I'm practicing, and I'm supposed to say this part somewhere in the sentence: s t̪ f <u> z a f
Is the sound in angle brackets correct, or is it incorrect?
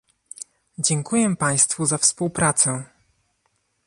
correct